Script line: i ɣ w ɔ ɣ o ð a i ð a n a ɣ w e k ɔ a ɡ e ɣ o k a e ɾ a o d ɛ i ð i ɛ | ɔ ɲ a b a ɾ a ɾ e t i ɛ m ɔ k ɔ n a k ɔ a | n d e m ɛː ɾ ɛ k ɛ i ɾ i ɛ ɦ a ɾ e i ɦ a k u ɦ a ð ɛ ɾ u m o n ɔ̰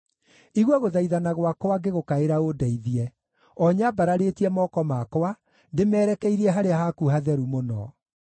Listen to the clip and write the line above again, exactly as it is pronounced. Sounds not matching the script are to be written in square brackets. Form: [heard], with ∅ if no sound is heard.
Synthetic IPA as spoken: i ɣ w ɔ ɣ o ð a i ð a n a ɣ w [a] k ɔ a ɡ e ɣ o k a e ɾ a o d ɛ i ð i ɛ | ɔ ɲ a b a ɾ a ɾ e t i ɛ m ɔ k ɔ [m] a k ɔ a | n d e m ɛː ɾ ɛ k ɛ i ɾ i ɛ ɦ a ɾ e [a] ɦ a k u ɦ a ð ɛ ɾ u m o n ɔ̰